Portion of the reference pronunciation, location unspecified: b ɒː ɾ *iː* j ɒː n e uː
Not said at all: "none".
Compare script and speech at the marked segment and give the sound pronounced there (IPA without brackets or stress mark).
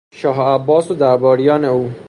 i